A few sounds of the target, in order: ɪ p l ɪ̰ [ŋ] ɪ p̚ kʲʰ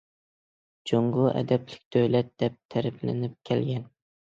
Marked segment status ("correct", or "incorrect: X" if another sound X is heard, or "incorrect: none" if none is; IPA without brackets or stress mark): incorrect: n